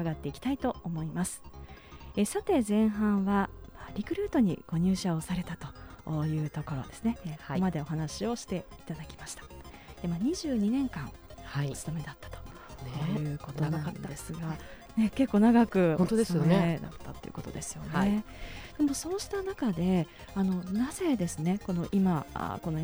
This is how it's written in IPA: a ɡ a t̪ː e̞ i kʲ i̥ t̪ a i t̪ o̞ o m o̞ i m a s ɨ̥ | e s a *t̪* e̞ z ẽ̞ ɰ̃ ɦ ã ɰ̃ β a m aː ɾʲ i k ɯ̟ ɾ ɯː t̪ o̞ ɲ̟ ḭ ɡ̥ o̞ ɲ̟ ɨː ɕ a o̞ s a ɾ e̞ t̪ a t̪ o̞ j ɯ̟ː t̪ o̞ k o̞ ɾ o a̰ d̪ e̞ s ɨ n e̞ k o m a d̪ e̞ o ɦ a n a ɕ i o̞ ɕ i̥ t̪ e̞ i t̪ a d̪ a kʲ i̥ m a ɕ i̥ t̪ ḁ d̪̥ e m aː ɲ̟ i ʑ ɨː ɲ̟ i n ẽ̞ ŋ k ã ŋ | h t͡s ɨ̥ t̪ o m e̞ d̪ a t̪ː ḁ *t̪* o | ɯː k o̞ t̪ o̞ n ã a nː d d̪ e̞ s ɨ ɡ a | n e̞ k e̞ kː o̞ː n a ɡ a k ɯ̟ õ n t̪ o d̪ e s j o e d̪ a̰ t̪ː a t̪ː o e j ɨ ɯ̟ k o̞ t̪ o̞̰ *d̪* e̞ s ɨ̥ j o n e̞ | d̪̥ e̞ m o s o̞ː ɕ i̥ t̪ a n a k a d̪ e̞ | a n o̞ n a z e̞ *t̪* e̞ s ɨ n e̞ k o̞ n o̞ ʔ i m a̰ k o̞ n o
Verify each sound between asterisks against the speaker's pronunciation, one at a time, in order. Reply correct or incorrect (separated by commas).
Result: correct, correct, correct, incorrect